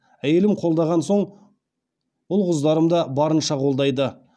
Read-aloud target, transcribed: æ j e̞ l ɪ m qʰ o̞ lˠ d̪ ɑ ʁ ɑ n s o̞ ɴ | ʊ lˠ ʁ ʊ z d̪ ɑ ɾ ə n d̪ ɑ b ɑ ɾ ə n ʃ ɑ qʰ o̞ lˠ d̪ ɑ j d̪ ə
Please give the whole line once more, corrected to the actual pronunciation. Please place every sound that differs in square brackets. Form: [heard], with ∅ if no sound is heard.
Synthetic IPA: æ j e̞ l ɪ m qʰ o̞ lˠ d̪ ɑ ʁ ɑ n s o̞ ɴ | ʊ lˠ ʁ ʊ z d̪ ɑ ɾ ə [m] d̪ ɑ b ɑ ɾ ə n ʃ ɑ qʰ o̞ lˠ d̪ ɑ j d̪ ə

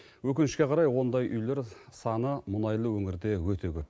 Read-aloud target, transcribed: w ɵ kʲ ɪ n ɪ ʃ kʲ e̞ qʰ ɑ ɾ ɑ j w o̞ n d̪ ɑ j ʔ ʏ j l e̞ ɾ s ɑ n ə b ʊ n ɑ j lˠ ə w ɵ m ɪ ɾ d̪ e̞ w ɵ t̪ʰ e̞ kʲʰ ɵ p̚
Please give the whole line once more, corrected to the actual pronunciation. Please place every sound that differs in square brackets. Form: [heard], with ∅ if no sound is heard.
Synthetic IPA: w ɵ kʲ ɪ n ɪ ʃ kʲ e̞ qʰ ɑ ɾ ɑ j w o̞ n d̪ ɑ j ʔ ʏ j l e̞ ɾ s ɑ n ə [m] ʊ n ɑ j lˠ ə w ɵ [ŋ] ɪ ɾ d̪ e̞ w ɵ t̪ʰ e̞ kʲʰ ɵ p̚

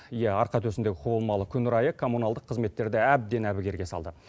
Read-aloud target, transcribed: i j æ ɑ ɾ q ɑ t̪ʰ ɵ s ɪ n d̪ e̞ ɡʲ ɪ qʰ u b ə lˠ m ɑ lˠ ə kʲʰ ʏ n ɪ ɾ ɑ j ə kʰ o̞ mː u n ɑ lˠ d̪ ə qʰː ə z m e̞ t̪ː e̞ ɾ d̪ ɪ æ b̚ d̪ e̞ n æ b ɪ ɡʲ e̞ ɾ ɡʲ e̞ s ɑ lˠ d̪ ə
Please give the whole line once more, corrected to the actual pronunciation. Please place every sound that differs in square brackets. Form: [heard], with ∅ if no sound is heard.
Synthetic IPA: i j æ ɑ ɾ q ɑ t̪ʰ ɵ s ɪ n d̪ e̞ ɡʲ ɪ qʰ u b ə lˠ m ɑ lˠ ə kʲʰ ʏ n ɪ ɾ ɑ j ə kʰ o̞ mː u n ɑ lˠ d̪ ə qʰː ə z m e̞ t̪ː e̞ ɾ d̪ ɪ æ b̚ d̪ e̞ n æ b ɪ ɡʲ e̞ ɾ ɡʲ e̞ s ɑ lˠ d̪ ə

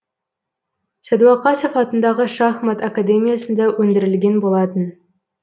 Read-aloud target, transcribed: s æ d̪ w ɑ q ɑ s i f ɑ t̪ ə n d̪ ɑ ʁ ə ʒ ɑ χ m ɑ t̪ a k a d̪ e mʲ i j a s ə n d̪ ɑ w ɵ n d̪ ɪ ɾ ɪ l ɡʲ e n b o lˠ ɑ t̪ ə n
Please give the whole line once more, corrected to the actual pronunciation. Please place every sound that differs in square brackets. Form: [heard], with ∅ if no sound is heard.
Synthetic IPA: s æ d̪ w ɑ q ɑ s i f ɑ t̪ ə n d̪ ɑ ʁ ə [ʃ] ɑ χ m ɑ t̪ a k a d̪ e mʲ i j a s ə n d̪ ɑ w ɵ n d̪ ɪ ɾ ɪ l ɡʲ e n b o lˠ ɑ t̪ ə n

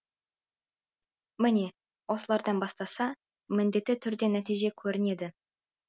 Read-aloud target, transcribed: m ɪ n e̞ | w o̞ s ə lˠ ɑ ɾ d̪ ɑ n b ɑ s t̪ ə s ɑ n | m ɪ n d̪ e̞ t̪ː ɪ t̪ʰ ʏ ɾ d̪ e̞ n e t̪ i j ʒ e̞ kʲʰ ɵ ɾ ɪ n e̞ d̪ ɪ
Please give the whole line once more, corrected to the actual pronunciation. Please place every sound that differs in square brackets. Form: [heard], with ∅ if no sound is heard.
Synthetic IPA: m ɪ n e̞ | w o̞ s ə lˠ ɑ ɾ d̪ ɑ n b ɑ s t̪ [ɑ] s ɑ [∅] | m ɪ n d̪ e̞ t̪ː ɪ t̪ʰ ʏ ɾ d̪ e̞ n [æ] t̪ i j ʒ e̞ kʲʰ ɵ ɾ ɪ n e̞ d̪ ɪ

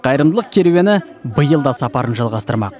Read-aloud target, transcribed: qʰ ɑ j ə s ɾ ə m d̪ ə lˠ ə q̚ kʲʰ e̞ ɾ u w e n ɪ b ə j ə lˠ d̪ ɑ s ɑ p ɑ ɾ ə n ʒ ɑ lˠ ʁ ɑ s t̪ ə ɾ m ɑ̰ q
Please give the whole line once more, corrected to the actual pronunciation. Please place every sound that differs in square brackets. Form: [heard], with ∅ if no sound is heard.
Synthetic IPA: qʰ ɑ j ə [∅] ɾ ə m d̪ ə lˠ ə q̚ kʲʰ e̞ ɾ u w e n ɪ b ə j ə lˠ d̪ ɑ s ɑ p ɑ ɾ ə n ʒ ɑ lˠ ʁ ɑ s t̪ ə ɾ m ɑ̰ q

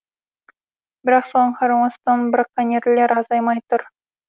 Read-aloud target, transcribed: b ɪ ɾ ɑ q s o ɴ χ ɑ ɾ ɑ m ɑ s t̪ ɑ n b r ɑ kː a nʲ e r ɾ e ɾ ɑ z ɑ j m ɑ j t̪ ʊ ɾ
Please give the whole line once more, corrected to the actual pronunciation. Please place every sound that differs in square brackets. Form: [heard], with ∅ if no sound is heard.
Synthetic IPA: b ɪ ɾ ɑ q s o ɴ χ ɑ ɾ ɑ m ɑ s t̪ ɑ n b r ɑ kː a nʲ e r [l] e ɾ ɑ z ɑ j m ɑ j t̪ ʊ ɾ

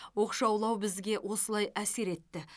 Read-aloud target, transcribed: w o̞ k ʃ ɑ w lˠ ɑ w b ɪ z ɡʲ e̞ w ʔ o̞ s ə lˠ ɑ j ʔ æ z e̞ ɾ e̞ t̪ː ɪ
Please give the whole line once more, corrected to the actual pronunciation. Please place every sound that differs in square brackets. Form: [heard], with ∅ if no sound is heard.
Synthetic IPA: w o̞ [q] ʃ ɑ w lˠ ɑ w b ɪ z ɡʲ e̞ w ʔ o̞ s ə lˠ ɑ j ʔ æ [s] e̞ ɾ e̞ t̪ː ɪ

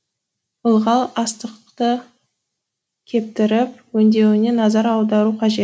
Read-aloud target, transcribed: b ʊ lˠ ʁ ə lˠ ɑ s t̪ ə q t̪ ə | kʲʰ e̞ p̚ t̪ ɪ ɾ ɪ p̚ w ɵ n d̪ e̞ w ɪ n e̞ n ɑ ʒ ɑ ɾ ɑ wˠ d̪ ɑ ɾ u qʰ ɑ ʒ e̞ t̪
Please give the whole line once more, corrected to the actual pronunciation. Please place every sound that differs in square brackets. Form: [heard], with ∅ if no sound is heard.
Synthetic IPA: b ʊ lˠ ʁ [ɑ] lˠ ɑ s t̪ ə q t̪ ə | kʲʰ e̞ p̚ t̪ ɪ ɾ ɪ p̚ w ɵ n d̪ e̞ w ɪ n e̞ n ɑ [z] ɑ ɾ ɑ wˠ d̪ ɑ ɾ u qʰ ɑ ʒ e̞ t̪

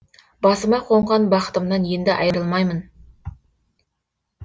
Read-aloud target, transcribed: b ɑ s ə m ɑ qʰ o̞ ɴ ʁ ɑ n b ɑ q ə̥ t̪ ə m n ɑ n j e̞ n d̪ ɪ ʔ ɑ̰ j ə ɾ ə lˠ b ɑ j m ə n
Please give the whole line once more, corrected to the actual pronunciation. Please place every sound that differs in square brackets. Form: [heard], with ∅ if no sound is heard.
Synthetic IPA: b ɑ s ə m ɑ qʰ o̞ ɴ ʁ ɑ n b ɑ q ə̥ t̪ ə m n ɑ n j e̞ n d̪ ɪ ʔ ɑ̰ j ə ɾ ə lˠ [m] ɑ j m ə n

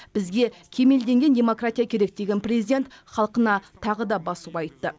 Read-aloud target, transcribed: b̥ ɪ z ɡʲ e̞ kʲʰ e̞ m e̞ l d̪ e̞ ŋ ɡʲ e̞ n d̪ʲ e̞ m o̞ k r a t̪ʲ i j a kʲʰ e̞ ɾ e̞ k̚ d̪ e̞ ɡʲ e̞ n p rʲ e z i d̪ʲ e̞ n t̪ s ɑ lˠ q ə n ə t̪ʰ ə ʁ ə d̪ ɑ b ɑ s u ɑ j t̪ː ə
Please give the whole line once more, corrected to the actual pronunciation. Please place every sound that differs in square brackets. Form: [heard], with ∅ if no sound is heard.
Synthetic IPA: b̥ ɪ z ɡʲ e̞ kʲʰ e̞ m e̞ l d̪ e̞ ŋ ɡʲ e̞ n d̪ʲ e̞ m o̞ k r a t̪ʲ i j a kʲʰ e̞ ɾ e̞ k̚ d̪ e̞ ɡʲ e̞ n p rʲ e z i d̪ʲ e̞ n t̪ [χ] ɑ lˠ q ə n [ɑ] t̪ʰ [ɑ] ʁ ə d̪ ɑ b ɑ s u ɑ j t̪ː ə

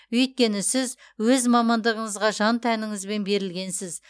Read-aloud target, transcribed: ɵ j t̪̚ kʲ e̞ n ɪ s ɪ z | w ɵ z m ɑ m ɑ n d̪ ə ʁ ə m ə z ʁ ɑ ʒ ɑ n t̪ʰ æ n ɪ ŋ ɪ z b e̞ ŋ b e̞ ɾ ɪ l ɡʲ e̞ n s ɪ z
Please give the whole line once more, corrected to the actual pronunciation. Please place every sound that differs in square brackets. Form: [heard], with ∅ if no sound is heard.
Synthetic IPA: ɵ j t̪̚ kʲ e̞ n ɪ s ɪ z | w ɵ z m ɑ m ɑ n d̪ ə ʁ ə [ɴ] ə z ʁ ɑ ʒ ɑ n t̪ʰ æ n ɪ ŋ ɪ z b e̞ [n] b e̞ ɾ ɪ l ɡʲ e̞ n s ɪ z

